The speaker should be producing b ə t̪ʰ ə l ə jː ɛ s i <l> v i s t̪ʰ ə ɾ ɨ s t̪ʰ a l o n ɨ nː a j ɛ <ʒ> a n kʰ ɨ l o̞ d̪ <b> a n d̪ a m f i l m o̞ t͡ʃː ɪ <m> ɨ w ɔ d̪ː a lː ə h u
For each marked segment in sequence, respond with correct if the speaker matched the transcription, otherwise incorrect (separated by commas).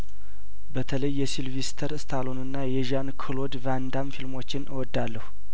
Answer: correct, correct, incorrect, incorrect